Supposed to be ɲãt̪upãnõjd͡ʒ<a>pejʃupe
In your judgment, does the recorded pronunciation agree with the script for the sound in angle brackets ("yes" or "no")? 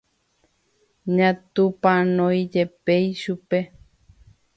no